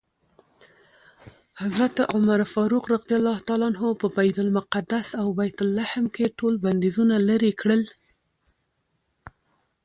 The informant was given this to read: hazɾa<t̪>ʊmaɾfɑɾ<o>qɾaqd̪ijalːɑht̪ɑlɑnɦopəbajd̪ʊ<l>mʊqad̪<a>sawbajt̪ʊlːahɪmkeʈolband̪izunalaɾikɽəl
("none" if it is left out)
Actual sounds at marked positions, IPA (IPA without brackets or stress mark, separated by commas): t̪, u, l, a